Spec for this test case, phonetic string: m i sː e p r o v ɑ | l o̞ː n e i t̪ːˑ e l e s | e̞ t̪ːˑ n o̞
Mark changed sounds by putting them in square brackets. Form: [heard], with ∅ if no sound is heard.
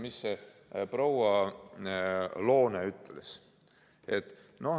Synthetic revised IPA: m i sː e p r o [w] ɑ | l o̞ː n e [y] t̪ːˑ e l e s | e̞ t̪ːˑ n o̞